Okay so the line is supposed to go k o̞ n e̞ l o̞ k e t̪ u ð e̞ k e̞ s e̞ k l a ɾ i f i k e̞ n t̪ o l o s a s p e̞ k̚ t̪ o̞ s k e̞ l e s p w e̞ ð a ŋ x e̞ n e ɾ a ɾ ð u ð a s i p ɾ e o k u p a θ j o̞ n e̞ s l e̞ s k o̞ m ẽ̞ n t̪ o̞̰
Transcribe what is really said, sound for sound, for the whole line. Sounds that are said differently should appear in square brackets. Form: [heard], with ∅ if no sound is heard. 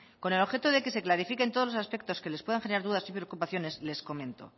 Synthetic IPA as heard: k o̞ n e̞ l o̞ [x] e t̪ [o] ð e̞ k e̞ s e̞ k l a ɾ i f i k e̞ n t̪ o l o s a s p e̞ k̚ t̪ o̞ s k e̞ l e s p w e̞ ð a ŋ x e̞ n e ɾ a ɾ ð u ð a s i p ɾ e o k u p a θ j o̞ n e̞ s l e̞ s k o̞ m ẽ̞ n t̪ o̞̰